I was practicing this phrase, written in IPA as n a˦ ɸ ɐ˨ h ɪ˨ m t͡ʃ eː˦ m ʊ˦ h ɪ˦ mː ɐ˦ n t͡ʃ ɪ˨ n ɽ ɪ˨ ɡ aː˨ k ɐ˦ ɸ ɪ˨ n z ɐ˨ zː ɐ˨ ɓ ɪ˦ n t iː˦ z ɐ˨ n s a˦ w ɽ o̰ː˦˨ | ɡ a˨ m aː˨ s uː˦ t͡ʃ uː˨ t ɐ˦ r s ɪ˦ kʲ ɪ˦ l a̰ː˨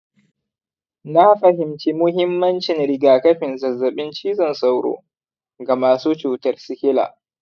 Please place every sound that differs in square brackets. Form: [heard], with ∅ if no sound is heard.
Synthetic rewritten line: n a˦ ɸ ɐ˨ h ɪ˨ m t͡ʃ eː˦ m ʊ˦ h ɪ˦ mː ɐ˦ n t͡ʃ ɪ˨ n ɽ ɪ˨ ɡ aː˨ k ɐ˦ ɸ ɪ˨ n z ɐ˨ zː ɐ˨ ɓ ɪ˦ n [t͡ʃ] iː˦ z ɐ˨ n s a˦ w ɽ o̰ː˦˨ | ɡ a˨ m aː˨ s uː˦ t͡ʃ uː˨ t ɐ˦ r s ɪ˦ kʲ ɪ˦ l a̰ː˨